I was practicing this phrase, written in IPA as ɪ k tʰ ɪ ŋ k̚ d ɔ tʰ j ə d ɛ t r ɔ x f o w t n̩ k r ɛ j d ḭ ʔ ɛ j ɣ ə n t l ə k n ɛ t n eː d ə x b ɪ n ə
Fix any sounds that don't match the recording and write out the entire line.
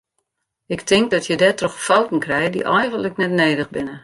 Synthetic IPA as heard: ɪ k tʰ ɪ ŋ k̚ d ɔ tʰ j ə d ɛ t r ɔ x f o w t n̩ k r ɛ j d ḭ ʔ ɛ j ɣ ə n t l ə k n ɛ t n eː d ə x b ɪ n ə